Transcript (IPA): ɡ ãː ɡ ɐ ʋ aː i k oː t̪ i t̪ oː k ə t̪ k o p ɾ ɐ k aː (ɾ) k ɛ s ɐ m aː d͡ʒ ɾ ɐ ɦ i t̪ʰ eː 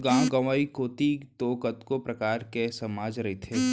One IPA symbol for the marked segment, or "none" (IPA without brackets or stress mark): ɾ